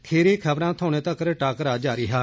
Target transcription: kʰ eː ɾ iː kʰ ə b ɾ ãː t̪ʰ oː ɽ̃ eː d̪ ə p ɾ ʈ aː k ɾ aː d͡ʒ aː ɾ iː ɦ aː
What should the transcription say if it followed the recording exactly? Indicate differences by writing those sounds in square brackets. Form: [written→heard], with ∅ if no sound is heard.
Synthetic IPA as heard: kʰ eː ɾ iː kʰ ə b ɾ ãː t̪ʰ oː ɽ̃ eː [d̪→t̪] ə [p→k] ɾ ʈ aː k ɾ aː d͡ʒ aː ɾ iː ɦ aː